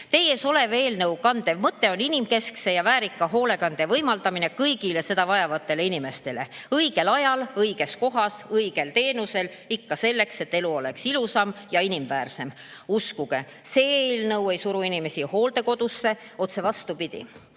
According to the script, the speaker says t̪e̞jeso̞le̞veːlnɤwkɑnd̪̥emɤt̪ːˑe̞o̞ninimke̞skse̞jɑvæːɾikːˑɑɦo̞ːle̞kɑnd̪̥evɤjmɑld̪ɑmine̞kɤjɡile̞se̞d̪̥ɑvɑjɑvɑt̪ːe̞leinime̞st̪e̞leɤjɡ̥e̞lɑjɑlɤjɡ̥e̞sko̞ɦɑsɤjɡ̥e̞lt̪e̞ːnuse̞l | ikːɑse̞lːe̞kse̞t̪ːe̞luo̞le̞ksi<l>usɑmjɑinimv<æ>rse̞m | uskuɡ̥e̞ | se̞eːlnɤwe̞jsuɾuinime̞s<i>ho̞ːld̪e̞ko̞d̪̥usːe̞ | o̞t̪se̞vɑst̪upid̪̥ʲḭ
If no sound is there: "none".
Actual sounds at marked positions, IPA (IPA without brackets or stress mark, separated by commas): l, æː, i